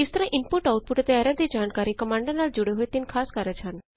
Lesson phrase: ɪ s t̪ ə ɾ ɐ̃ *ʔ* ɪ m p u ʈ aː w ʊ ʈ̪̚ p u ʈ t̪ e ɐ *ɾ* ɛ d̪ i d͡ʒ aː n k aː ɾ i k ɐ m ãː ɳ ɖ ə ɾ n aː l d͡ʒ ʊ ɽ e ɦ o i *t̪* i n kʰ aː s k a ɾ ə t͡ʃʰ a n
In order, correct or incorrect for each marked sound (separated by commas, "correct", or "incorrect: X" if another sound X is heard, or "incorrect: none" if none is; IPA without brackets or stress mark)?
correct, correct, correct